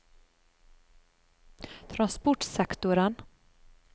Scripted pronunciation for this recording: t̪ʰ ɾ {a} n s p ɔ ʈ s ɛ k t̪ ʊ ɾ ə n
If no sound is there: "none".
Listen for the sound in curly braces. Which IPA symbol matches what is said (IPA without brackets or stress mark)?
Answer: a